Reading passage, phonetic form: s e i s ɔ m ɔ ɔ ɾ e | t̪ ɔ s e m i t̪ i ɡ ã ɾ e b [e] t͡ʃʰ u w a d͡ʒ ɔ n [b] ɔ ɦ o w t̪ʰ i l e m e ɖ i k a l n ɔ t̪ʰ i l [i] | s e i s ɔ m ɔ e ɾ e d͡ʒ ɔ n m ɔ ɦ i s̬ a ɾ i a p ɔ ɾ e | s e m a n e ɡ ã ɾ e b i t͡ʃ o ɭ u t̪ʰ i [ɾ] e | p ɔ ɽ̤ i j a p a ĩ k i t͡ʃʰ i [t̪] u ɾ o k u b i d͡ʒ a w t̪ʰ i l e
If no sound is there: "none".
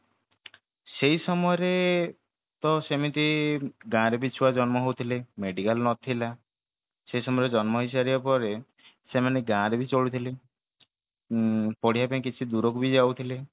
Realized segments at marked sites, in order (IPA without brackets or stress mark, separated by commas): i, m, a, l, d̪